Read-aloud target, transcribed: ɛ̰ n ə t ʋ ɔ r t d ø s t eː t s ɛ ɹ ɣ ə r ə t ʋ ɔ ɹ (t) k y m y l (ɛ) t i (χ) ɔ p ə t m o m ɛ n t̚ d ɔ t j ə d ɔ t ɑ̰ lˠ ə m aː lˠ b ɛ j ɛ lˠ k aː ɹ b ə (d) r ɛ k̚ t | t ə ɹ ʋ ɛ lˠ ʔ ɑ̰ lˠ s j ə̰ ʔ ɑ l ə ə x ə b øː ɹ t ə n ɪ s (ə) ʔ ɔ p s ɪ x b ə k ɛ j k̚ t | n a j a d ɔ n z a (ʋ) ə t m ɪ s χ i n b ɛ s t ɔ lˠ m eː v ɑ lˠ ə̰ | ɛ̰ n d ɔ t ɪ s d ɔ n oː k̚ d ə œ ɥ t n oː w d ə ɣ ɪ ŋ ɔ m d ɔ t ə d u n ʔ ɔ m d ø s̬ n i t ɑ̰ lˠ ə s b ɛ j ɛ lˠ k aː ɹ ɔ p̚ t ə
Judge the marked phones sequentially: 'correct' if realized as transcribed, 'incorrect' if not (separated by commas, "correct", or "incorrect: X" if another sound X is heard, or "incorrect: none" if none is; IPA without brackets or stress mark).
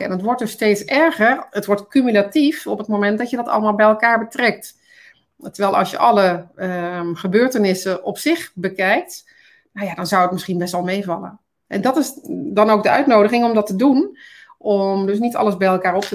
correct, incorrect: a, incorrect: f, incorrect: t, correct, incorrect: w